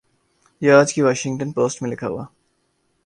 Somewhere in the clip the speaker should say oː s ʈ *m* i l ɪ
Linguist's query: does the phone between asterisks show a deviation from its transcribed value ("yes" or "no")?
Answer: no